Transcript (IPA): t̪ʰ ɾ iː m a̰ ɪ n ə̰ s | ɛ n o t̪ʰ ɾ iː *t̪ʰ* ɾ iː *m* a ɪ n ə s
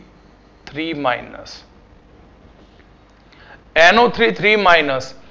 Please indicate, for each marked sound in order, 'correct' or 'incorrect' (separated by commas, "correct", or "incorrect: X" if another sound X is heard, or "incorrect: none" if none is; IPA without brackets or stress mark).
correct, correct